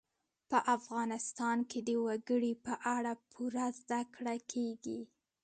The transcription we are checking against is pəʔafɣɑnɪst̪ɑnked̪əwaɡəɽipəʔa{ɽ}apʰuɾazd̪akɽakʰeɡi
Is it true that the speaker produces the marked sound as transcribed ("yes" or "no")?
yes